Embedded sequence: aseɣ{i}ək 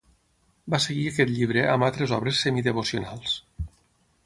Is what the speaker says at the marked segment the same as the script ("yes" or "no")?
yes